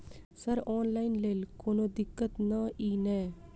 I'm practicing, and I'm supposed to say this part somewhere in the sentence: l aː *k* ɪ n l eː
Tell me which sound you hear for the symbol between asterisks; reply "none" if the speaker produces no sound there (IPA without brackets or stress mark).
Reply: none